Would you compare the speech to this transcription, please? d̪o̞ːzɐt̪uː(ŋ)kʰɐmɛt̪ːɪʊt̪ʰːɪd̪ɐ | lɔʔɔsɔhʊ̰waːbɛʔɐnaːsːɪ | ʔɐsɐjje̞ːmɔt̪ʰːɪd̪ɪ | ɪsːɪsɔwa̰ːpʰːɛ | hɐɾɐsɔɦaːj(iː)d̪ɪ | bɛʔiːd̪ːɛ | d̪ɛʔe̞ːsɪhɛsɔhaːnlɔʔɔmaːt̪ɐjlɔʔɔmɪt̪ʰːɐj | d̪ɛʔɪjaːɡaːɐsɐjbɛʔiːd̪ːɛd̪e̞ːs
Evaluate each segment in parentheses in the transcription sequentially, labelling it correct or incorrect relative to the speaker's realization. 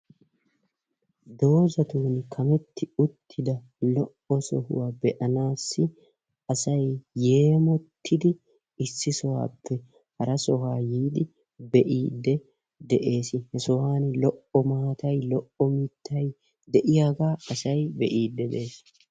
incorrect: n, correct

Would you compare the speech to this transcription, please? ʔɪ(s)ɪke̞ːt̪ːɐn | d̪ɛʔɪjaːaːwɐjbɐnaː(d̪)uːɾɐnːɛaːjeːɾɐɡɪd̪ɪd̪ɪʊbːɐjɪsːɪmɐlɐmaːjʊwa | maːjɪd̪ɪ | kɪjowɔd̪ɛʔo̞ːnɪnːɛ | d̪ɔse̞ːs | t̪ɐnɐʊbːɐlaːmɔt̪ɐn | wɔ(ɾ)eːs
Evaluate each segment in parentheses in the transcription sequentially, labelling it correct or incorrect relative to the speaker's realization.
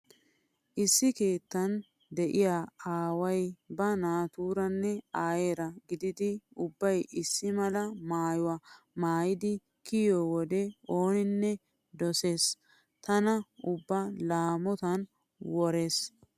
incorrect: sː, incorrect: t̪, correct

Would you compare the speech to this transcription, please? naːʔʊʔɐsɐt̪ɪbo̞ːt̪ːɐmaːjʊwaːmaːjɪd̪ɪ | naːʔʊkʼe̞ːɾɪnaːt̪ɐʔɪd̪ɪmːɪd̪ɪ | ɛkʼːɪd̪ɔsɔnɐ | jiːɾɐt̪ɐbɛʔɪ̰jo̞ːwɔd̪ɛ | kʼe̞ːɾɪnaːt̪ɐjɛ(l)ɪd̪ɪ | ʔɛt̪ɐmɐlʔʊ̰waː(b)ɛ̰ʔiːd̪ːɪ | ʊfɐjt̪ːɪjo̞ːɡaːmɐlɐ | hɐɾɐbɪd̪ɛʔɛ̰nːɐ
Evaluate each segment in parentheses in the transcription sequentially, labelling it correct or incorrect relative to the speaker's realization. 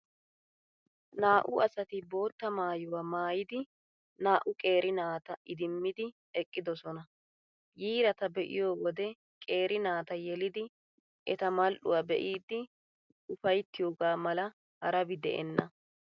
correct, correct

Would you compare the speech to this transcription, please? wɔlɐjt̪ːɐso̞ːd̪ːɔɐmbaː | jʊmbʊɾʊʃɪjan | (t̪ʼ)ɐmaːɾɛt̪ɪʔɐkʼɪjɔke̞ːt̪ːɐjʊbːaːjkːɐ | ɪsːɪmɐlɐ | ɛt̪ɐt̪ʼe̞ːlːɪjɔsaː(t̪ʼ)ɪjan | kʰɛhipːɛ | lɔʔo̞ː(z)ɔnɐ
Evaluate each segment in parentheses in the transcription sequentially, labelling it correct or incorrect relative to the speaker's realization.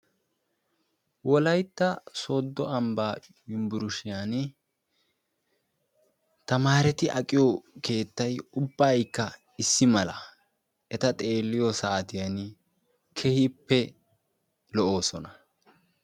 incorrect: t̪, incorrect: t̪, incorrect: s

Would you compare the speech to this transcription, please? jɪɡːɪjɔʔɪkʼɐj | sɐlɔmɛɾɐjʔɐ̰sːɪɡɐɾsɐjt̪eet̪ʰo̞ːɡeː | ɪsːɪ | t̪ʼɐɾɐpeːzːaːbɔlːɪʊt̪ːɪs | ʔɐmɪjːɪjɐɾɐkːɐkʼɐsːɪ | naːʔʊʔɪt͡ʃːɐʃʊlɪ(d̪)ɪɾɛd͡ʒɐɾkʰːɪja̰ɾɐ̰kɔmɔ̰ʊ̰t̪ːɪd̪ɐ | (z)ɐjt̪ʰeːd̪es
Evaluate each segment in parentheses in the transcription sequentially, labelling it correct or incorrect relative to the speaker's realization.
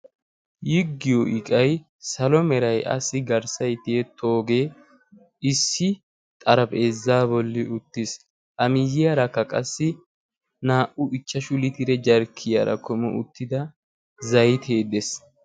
incorrect: t̪, correct

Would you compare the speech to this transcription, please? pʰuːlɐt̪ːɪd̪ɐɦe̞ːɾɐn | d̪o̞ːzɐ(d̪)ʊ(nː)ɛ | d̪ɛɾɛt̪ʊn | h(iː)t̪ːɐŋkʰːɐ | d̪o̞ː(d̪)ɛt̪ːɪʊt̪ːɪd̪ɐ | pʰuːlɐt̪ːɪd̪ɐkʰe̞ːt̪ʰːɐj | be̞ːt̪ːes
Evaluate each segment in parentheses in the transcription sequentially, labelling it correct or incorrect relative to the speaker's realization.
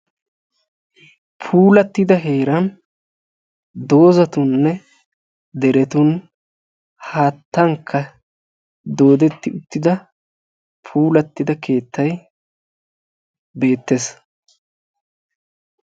incorrect: t̪, correct, incorrect: aː, correct

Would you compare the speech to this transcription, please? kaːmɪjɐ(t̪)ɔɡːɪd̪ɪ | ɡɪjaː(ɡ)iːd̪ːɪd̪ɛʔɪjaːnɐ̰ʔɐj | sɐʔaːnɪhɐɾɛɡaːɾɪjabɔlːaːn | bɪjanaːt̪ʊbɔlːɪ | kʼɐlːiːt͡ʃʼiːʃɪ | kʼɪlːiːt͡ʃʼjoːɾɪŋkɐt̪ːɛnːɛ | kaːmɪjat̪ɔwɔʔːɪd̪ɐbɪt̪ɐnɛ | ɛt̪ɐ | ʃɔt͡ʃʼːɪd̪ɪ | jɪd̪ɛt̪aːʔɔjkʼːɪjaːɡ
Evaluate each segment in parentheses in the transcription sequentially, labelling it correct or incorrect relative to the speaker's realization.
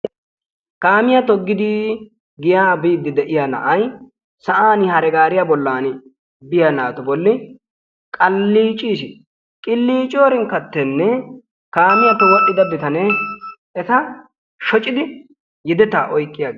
correct, incorrect: b

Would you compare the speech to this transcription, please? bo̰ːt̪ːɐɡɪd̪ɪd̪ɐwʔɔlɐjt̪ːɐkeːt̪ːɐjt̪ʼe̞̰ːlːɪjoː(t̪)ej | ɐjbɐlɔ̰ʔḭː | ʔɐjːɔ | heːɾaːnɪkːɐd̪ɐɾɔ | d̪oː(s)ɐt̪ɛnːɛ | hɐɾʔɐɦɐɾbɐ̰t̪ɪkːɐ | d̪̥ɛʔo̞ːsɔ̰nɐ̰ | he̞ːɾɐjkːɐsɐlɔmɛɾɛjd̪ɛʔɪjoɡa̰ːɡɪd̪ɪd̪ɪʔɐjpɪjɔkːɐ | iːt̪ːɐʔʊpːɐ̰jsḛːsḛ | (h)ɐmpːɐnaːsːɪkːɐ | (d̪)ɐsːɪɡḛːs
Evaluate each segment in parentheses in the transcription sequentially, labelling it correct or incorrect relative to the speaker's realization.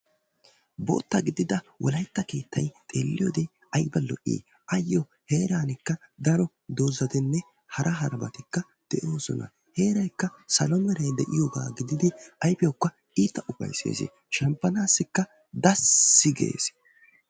incorrect: d̪, incorrect: z, incorrect: ʃ, correct

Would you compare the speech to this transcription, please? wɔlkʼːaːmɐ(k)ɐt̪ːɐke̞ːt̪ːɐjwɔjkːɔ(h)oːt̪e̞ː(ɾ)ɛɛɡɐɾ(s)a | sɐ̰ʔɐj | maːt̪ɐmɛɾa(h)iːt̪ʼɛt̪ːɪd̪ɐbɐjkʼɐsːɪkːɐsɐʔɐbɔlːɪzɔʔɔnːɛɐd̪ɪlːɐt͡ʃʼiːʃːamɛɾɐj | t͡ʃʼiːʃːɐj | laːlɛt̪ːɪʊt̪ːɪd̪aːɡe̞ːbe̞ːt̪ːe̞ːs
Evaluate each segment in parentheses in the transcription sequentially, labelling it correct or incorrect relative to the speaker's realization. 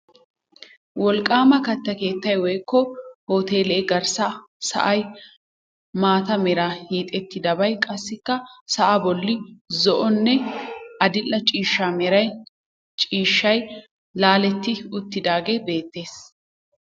correct, correct, incorrect: l, correct, correct

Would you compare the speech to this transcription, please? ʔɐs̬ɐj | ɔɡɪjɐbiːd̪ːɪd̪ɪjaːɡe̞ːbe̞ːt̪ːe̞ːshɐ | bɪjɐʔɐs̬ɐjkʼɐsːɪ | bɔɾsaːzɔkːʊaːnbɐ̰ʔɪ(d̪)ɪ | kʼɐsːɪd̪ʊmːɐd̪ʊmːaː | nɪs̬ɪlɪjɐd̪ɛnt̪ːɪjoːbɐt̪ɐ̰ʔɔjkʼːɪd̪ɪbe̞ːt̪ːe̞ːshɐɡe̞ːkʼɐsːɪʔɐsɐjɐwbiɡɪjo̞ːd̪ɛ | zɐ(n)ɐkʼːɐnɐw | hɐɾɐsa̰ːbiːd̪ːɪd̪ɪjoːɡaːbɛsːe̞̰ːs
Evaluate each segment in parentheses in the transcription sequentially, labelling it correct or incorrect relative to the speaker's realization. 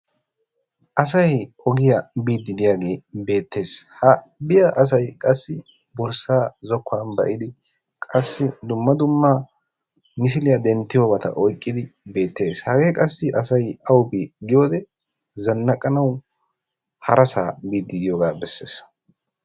correct, incorrect: nː

